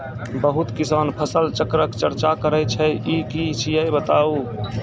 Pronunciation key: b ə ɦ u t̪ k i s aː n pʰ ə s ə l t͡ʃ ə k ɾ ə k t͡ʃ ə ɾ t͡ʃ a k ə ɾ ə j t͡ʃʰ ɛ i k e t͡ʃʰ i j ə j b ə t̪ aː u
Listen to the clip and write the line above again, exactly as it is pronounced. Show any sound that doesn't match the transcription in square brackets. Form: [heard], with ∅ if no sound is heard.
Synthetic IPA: b ə ɦ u t̪ k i s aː n pʰ ə s ə l t͡ʃ ə k ɾ ə k t͡ʃ ə ɾ t͡ʃ a k ə ɾ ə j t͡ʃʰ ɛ i k [i] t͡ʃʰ i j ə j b ə t̪ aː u